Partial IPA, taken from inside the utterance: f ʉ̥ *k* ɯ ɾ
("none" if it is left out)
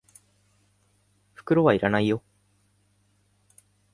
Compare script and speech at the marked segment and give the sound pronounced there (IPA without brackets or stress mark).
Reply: k